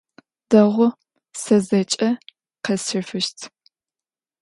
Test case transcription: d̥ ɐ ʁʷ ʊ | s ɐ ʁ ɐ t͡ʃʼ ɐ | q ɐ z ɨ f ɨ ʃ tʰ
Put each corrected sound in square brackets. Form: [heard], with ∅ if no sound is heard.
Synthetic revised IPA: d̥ ɐ ʁʷ ʊ | s ɐ [z] ɐ t͡ʃʼ ɐ | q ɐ [s] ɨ f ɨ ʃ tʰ